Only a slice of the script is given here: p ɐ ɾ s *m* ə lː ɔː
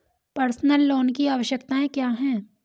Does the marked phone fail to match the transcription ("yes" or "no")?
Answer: yes